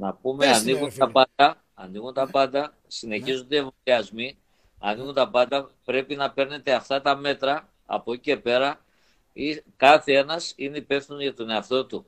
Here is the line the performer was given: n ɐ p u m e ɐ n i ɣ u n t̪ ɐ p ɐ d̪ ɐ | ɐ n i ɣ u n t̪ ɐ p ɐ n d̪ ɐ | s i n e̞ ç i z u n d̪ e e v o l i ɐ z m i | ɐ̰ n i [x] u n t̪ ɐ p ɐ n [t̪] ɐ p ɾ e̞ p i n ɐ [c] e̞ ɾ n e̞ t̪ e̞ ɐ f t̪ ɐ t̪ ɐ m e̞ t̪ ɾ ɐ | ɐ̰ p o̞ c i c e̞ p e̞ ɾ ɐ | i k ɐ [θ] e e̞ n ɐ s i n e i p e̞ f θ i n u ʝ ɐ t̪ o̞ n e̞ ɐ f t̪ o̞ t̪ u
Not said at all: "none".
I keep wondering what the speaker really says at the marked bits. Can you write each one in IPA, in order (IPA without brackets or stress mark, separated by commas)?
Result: ɣ, d̪, p, θ